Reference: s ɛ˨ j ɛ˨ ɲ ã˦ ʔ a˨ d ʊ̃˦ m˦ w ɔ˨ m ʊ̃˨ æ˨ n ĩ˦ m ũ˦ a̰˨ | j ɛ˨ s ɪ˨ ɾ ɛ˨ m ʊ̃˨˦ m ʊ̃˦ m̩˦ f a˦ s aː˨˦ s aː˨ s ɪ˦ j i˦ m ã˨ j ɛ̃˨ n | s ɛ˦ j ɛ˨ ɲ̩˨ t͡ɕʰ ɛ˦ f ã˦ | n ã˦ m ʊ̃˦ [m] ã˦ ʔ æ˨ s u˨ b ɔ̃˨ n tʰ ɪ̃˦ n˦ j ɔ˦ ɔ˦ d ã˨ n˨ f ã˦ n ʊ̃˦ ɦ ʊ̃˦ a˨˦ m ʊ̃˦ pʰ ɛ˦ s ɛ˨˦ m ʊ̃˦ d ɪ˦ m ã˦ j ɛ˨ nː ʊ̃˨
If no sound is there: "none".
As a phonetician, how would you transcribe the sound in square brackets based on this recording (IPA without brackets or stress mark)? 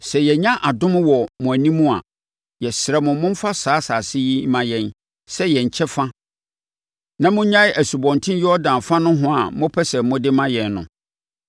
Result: ɲ